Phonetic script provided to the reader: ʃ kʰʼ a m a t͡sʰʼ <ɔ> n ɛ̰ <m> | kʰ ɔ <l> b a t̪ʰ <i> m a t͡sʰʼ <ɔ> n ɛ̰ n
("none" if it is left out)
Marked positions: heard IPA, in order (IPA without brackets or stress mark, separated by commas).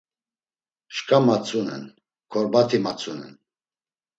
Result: u, n, ɾ, i, u